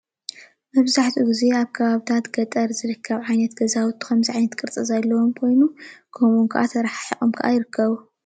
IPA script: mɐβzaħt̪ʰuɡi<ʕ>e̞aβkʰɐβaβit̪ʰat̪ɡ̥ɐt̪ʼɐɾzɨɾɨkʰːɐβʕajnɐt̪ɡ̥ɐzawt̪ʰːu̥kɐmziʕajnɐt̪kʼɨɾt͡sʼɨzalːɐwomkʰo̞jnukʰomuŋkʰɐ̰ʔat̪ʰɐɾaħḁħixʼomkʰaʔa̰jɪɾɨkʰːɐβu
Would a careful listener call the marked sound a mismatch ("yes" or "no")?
yes